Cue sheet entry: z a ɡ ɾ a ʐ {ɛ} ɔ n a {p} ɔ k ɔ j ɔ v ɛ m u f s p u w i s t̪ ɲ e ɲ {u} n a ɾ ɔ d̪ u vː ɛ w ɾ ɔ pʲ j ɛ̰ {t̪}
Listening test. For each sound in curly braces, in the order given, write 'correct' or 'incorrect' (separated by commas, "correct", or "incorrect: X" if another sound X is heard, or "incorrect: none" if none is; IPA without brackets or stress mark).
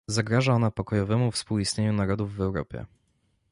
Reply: incorrect: a, correct, correct, incorrect: none